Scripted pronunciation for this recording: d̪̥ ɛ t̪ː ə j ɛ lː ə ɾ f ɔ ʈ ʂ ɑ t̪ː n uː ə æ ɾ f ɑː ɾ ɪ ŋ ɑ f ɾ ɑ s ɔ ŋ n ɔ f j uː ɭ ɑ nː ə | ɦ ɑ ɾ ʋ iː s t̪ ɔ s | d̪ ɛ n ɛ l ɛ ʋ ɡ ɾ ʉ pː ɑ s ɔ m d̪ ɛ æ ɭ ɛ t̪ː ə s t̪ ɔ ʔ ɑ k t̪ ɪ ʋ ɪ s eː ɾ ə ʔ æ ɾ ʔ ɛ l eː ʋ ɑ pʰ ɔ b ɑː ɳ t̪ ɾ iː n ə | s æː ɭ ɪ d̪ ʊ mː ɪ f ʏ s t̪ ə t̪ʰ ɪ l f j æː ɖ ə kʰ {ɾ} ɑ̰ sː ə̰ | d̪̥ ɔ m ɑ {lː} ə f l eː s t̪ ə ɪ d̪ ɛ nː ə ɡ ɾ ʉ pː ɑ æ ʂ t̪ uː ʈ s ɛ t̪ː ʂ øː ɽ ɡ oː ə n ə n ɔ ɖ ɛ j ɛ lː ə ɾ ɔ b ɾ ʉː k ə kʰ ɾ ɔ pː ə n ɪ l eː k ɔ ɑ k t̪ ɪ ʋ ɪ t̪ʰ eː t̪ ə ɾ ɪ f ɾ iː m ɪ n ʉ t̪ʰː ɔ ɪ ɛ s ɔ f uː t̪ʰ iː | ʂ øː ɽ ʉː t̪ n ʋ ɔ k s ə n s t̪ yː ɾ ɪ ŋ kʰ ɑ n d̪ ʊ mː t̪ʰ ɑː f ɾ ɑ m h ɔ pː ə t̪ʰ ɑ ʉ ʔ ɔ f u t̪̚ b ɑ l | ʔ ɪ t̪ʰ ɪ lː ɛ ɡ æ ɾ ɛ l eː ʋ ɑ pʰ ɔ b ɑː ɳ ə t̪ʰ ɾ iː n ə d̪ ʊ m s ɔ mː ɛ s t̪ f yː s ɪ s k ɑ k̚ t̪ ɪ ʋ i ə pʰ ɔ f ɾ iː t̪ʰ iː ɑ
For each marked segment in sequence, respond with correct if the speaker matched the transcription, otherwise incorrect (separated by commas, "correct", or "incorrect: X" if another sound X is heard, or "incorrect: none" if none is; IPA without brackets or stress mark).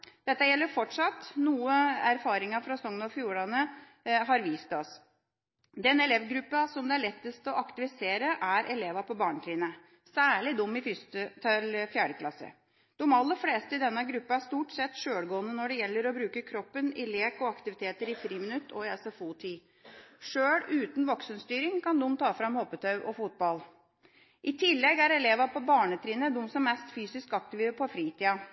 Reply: incorrect: l, correct